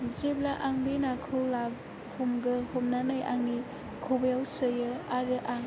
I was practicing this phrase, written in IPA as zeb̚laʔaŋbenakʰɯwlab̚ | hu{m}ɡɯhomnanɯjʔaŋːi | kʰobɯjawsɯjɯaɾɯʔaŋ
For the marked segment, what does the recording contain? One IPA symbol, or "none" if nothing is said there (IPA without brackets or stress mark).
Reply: m